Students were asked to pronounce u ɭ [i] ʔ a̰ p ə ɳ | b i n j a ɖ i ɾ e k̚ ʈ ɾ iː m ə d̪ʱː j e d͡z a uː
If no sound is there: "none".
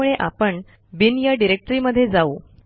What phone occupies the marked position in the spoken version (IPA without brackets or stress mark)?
e